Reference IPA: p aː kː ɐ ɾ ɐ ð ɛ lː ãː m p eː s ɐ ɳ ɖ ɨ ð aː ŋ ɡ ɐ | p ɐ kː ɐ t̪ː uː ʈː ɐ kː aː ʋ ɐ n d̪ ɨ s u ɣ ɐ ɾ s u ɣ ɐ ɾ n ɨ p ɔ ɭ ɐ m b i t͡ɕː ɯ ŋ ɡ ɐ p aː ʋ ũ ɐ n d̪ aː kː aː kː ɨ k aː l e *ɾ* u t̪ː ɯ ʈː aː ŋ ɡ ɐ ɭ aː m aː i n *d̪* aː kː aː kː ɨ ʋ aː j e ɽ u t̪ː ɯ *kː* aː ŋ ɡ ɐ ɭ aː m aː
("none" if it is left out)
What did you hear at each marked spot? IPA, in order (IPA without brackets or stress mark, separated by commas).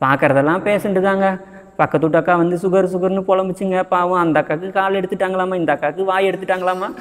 ɽ, d̪, ʈː